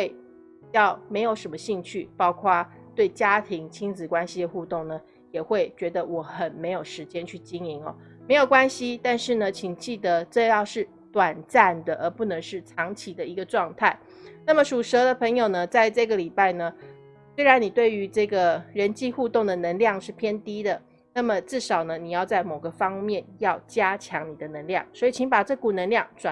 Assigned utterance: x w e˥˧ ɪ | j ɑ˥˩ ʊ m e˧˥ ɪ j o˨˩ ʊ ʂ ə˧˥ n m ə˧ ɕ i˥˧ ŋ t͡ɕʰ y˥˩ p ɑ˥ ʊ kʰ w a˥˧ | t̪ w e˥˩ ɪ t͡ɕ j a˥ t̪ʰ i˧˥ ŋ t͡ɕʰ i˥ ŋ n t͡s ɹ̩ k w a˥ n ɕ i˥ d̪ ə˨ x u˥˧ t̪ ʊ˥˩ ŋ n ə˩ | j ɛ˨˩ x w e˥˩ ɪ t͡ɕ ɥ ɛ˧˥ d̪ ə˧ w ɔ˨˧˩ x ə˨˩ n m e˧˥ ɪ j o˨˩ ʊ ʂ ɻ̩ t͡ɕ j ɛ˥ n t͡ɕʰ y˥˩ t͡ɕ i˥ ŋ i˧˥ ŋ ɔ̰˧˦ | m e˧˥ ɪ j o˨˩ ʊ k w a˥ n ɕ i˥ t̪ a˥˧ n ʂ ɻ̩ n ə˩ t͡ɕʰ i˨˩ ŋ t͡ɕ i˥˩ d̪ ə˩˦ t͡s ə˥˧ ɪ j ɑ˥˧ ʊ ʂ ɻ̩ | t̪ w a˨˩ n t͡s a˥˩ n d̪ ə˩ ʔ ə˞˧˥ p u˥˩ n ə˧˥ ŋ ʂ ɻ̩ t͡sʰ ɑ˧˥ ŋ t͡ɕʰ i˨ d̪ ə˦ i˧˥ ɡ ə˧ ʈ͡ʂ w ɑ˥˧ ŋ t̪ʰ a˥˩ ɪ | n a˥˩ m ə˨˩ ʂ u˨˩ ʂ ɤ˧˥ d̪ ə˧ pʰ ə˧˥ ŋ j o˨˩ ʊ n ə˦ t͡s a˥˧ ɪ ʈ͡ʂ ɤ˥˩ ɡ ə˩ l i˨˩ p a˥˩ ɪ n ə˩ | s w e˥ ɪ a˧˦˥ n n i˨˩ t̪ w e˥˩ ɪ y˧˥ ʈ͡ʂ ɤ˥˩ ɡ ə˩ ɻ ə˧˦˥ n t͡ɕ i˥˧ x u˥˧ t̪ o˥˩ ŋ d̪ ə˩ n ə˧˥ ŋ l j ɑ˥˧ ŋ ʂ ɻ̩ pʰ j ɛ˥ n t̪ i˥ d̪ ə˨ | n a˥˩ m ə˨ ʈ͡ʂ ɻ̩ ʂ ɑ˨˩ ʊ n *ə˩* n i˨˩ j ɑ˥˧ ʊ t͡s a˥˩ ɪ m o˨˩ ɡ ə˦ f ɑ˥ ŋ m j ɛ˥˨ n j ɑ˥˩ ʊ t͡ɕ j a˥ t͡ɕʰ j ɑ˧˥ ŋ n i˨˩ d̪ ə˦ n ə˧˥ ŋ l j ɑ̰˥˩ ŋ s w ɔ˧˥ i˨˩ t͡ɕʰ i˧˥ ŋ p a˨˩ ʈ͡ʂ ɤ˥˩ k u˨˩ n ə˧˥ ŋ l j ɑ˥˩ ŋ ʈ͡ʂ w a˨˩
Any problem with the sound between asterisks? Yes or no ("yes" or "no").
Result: yes